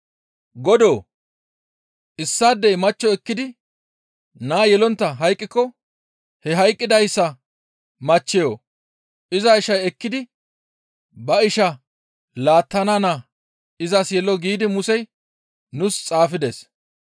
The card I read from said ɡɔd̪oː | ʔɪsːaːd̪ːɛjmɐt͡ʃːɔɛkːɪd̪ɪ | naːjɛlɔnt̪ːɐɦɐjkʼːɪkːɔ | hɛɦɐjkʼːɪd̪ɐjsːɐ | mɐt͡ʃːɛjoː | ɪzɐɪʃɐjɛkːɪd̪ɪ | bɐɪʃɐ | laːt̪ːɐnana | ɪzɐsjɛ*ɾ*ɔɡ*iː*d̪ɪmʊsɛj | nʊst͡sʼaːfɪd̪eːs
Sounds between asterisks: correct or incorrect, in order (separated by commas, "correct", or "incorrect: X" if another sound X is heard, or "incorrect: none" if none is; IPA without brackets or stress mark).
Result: incorrect: l, correct